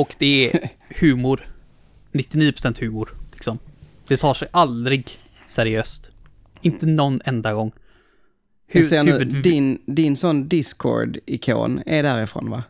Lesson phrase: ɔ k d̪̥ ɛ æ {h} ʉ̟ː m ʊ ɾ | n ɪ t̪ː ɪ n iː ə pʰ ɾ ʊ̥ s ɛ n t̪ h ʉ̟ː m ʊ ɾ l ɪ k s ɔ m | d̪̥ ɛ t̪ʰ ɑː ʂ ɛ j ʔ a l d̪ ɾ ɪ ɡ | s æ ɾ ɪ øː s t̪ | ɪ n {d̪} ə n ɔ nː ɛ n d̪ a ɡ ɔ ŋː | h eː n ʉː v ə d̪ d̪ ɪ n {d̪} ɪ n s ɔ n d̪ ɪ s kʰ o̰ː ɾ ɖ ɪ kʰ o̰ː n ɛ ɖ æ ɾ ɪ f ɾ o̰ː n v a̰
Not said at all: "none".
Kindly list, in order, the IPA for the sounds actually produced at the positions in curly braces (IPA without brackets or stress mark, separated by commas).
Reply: h, t̪, d̪